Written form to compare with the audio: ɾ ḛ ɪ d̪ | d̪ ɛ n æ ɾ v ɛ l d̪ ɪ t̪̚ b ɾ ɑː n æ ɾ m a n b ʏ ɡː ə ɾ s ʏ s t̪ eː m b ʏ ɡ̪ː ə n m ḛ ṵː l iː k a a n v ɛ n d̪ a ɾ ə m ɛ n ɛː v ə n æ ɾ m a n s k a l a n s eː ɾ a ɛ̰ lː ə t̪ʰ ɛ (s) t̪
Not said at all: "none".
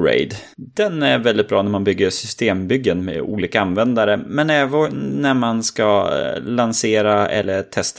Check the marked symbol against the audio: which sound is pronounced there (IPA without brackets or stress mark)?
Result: s